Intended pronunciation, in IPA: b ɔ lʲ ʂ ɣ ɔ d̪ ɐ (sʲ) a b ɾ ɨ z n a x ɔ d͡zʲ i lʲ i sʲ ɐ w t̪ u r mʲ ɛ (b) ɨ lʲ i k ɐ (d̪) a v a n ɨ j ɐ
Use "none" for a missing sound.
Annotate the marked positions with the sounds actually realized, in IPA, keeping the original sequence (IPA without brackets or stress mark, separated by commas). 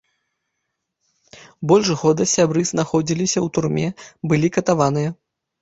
sʲ, b, t̪